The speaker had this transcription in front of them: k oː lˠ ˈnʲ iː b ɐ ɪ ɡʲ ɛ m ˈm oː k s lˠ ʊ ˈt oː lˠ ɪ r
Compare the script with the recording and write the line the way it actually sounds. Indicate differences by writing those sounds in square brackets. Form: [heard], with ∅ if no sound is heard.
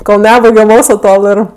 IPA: k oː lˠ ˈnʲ [æː] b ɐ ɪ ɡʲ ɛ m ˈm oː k s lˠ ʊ ˈt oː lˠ ɪ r